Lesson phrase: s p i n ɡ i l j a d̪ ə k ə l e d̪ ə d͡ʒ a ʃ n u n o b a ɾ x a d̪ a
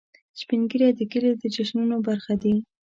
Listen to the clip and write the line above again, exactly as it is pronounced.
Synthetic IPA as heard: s p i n ɡ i ɾ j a d̪ ə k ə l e d̪ ə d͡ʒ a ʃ n u n o b a ɾ x a d̪ i